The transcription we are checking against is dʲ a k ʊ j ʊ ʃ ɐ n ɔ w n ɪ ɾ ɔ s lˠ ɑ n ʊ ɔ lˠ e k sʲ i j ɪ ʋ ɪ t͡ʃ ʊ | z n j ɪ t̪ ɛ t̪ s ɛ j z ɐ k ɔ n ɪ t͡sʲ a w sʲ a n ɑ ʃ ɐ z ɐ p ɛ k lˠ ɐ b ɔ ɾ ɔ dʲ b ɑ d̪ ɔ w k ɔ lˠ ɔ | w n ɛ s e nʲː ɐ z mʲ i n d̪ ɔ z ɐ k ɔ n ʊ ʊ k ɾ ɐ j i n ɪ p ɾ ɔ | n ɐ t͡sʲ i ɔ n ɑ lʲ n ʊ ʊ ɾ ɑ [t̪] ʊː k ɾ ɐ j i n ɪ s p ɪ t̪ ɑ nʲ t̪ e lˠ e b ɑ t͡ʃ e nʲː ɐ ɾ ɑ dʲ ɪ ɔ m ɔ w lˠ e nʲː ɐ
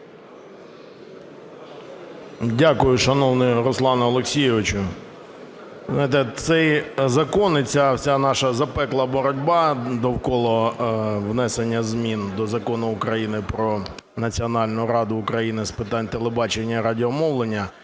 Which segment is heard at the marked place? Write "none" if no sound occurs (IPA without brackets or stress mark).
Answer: d̪